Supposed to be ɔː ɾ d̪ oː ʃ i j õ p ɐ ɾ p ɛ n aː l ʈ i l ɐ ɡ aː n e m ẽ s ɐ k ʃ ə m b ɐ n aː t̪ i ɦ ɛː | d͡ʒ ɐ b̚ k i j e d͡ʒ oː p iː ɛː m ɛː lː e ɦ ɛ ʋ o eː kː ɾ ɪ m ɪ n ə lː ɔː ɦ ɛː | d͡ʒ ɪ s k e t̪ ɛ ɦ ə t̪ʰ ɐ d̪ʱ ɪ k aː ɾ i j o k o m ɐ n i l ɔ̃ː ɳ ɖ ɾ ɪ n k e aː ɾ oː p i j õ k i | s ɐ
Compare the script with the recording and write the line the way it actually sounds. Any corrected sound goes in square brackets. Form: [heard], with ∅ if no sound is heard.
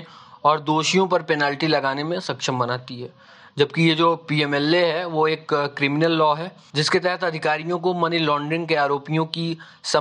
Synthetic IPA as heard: ɔː ɾ d̪ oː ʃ i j õ p ɐ ɾ p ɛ n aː l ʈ i l ɐ ɡ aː n e m ẽ s ɐ k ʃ ə m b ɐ n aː t̪ i ɦ ɛː | d͡ʒ ɐ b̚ k i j e d͡ʒ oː p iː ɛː m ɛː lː e ɦ ɛ ʋ o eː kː ɾ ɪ m ɪ n ə lː ɔː ɦ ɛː | d͡ʒ ɪ s k e t̪ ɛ ɦ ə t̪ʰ ɐ d̪ʱ ɪ k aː ɾ i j [õ] k o m ɐ n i l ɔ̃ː ɳ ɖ ɾ ɪ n k e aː ɾ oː p i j õ k i | s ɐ